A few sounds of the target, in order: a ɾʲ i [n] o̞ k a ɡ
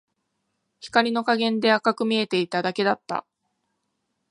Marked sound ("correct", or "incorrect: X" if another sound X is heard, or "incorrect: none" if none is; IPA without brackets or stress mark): correct